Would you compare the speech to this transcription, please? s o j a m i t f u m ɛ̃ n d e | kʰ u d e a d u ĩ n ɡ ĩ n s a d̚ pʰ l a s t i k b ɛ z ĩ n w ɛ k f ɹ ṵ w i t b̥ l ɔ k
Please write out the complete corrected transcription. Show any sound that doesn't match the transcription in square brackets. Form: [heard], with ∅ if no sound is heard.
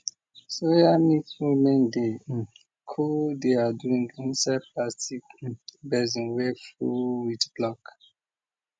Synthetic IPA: s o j a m i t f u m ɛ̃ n d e | kʰ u d e a d u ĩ [ŋ] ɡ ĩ n s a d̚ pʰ l a s t i k b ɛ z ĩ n w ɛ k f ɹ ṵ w i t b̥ l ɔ k

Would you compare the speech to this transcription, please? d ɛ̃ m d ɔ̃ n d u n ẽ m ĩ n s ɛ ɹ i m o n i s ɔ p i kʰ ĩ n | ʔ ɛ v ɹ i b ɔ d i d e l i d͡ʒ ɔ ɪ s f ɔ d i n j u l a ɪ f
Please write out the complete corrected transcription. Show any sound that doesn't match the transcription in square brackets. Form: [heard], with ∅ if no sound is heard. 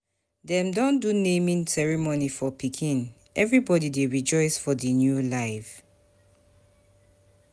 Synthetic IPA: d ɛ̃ m d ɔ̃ n d u n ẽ m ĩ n s ɛ ɹ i m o n i [f] ɔ p i kʰ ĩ n | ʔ ɛ v ɹ i b ɔ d i d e [ɹ] i d͡ʒ ɔ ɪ s f ɔ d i n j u l a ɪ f

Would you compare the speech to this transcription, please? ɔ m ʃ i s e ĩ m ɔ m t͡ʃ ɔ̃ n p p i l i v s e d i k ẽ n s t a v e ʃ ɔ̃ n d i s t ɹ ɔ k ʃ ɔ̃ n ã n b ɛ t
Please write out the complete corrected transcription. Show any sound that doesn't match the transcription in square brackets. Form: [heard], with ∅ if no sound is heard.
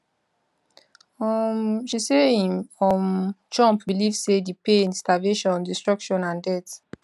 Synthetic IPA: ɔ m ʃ i s e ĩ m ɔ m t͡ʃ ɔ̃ [m] p [b] i l i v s e d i [p] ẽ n s t a v e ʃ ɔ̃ n d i s t ɹ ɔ k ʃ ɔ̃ n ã n [d] ɛ t

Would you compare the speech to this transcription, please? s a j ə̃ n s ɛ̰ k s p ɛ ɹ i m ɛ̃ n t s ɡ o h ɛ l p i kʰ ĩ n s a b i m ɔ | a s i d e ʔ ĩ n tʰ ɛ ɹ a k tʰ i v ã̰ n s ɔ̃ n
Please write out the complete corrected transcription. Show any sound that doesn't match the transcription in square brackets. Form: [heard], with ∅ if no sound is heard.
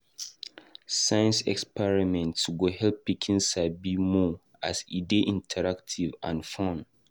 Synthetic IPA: s a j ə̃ n s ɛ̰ k s p ɛ ɹ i m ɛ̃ n t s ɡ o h ɛ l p i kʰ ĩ n s a b i m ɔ | a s i d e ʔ ĩ n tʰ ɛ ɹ a k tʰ i v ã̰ n [f] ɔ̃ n

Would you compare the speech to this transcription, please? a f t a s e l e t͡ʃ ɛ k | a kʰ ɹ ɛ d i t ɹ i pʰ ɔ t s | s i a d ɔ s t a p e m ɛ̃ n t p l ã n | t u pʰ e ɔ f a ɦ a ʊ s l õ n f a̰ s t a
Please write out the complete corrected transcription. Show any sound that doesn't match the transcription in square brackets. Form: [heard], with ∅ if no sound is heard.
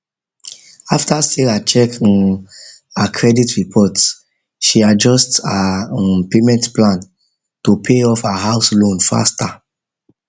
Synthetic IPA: a f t a s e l [a] t͡ʃ ɛ k | a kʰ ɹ ɛ d i t ɹ i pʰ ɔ t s | [ʃ] i a [d͡ʒ] ɔ s t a p e m ɛ̃ n t p l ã n | t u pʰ e ɔ f a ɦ a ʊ s l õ n f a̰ s t a

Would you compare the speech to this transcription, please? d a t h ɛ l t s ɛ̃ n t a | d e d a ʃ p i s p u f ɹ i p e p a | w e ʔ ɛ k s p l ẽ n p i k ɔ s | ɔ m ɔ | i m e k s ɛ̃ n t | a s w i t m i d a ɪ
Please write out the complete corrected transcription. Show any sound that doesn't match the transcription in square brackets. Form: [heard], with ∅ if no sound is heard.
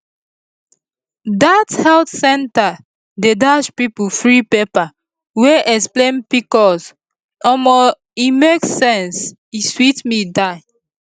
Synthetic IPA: d a t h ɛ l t s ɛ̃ n t a | d e d a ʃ p i [∅] p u f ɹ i p e p a | w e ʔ ɛ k s p l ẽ n p i k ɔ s | ɔ m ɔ | i m e k s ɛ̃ n [s] | [i] s w i t m i d a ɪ

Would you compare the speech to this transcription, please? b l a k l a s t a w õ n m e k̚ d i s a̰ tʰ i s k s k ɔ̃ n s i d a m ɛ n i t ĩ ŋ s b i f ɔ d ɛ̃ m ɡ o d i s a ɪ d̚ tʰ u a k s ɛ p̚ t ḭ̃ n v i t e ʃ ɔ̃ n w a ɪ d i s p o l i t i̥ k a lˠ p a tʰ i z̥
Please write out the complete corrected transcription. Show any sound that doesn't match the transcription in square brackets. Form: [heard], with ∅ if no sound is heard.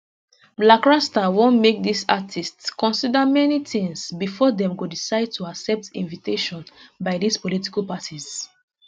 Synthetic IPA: b l a k [ɹ] a s t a w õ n m e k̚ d i s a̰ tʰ i s [t] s k ɔ̃ n s i d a m ɛ n i t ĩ ŋ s b i f ɔ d ɛ̃ m ɡ o d i s a ɪ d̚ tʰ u a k s ɛ p̚ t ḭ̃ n v i t e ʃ ɔ̃ n [b] a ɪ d i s p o l i t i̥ k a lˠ p a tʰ i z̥

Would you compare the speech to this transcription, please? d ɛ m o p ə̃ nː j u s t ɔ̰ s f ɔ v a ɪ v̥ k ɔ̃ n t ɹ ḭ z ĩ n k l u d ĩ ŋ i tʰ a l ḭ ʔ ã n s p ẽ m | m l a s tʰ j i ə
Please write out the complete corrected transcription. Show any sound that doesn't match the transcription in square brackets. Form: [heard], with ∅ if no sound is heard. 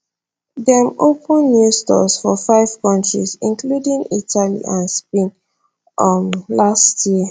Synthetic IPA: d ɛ m o p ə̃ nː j u s t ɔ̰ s f ɔ [f] a ɪ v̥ k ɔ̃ n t ɹ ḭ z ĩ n k l u d ĩ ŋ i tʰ a l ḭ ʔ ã n s p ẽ [n] | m l a s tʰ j i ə

